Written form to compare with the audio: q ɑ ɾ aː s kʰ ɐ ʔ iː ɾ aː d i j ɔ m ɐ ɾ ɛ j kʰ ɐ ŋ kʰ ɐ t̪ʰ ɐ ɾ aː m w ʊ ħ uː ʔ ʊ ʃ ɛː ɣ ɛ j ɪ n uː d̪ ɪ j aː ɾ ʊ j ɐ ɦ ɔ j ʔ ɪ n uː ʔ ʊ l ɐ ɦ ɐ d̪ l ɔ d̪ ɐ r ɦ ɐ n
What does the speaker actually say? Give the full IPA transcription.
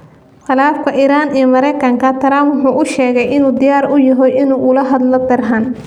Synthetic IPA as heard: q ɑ l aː f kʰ ɐ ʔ iː ɾ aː n i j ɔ m ɐ ɾ ɛ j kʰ ɐ ŋ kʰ ɐ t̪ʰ ɐ ɾ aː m w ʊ ħ uː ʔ ʊ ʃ ɛː ɣ ɛ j ɪ n uː d̪ ɪ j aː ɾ ʊ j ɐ ɦ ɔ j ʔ ɪ n uː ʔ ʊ l ɐ ɦ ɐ d̪ l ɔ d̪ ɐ r ɦ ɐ n

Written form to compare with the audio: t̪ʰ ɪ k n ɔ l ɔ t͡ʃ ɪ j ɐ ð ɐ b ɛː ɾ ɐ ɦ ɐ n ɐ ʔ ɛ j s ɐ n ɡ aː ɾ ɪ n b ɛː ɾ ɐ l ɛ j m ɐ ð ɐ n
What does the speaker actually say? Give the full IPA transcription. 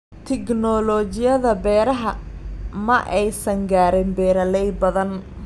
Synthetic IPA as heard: t̪ʰ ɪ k n ɔ l ɔ t͡ʃ ɪ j ɐ ð ɐ b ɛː ɾ ɐ ɦ ɐ m ɐ ʔ ɛ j s ɐ ŋ ɡ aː ɾ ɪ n b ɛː ɾ ɐ l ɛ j b ɐ ð ɐ n

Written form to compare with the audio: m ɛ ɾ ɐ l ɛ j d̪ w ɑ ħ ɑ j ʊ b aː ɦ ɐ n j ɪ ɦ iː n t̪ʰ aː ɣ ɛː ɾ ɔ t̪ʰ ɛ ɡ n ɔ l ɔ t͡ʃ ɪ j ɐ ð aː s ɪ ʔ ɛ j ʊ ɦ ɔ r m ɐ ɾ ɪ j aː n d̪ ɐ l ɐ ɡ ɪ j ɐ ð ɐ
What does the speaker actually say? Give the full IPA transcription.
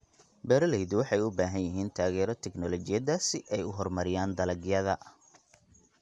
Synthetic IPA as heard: b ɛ ɾ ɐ l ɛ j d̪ w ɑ ħ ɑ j ʊ b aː ɦ ɐ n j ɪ ɦ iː n t̪ʰ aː ɣ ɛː ɾ ɔ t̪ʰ ɛ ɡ n ɔ l ɔ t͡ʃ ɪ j ɐ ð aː s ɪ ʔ ɛ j ʊ ɦ ɔ r m ɐ ɾ ɪ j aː n d̪ ɐ l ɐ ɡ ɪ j ɐ ð ɐ

